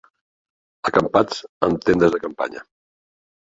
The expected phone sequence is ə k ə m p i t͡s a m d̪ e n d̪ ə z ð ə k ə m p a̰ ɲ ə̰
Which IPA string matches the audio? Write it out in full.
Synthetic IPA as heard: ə k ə m p a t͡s ə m t̪ e n d̪ ə z ð ə k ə m p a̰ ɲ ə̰

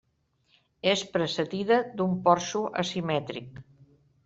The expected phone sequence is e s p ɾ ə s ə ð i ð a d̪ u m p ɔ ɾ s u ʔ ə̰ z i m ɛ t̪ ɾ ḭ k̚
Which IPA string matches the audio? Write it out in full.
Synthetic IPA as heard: e s p ɾ ə s ə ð i ð ə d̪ u m p ɔ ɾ s u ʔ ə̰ s i m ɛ t̪ ɾ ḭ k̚

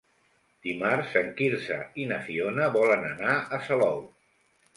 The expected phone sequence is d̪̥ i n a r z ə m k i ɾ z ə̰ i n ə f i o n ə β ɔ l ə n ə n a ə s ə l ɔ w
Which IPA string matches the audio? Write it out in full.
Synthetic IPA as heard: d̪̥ i m a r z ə ŋ k i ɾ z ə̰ i n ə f i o n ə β ɔ l ə n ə n a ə s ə l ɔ w

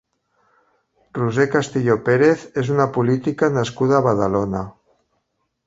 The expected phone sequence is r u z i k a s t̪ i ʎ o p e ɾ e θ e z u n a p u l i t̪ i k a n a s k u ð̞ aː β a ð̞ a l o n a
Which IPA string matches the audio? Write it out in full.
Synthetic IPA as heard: r u z e k a s t̪ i ʎ o p e ɾ e θ e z u n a p u l i t̪ i k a n a s k u ð̞ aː β a ð̞ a l o n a

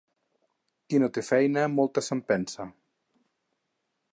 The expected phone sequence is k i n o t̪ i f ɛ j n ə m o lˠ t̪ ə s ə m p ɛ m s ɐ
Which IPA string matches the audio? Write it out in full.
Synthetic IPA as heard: k i n o t̪ e f ɛ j n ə m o lˠ t̪ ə s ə m p ɛ n s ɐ

